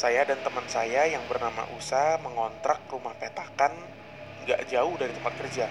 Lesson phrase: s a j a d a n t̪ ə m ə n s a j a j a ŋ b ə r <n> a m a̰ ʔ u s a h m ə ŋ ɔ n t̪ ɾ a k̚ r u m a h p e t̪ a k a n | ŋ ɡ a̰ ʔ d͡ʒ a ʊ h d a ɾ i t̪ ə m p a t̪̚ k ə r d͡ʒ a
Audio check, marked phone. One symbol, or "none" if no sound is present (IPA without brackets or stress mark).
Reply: n